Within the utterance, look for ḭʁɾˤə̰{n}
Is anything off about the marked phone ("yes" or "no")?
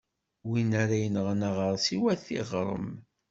yes